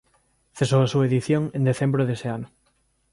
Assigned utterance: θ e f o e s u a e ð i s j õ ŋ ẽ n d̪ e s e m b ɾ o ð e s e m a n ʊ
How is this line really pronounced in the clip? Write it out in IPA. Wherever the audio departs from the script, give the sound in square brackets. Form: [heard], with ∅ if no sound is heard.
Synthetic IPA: θ e [s] o [a] s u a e ð i [θ] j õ ŋ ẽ n d̪ e [θ] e m b ɾ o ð e s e [∅] a n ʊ